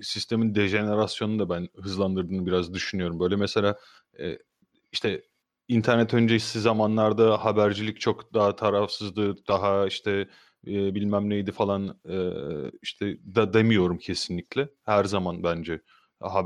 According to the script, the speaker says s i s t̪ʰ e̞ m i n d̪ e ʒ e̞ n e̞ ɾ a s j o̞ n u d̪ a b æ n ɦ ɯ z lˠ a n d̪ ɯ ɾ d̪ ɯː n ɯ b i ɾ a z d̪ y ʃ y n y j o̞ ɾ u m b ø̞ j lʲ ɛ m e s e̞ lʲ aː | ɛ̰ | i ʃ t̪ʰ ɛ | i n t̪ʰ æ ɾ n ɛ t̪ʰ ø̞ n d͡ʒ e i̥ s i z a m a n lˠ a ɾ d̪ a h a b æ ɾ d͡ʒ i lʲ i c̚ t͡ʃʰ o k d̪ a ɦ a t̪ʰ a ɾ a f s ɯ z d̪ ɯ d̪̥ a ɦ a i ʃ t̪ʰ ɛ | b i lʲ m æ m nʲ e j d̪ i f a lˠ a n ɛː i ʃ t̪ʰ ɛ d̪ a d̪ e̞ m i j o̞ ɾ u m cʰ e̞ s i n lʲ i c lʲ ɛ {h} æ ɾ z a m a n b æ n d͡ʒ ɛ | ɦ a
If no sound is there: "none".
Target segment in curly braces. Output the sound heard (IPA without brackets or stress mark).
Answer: h